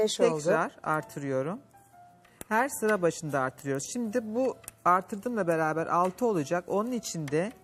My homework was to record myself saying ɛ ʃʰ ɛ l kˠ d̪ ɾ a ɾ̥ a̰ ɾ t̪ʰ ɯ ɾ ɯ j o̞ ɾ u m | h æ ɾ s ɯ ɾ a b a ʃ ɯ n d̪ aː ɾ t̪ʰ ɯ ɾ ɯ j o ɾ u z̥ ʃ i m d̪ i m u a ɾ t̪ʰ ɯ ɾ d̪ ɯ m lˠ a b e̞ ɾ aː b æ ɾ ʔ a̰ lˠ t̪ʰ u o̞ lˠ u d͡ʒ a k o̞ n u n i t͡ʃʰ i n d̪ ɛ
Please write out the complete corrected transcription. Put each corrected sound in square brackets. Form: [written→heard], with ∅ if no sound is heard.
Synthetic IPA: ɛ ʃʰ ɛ l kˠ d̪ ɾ a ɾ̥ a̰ ɾ t̪ʰ ɯ ɾ ɯ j o̞ ɾ u m | h æ ɾ s ɯ ɾ a b a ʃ ɯ n d̪ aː ɾ t̪ʰ ɯ ɾ ɯ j o ɾ u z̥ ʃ i m d̪ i [m→b] u a ɾ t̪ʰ ɯ ɾ d̪ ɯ m lˠ a b e̞ ɾ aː b æ ɾ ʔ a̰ lˠ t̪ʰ [u→ɯ] o̞ lˠ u d͡ʒ a k o̞ n u n i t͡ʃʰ i n d̪ ɛ